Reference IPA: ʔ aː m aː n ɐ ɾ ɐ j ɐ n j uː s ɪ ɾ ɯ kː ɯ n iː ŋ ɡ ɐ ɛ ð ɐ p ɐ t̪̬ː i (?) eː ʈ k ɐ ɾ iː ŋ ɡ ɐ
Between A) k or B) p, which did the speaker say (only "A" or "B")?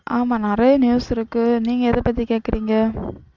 A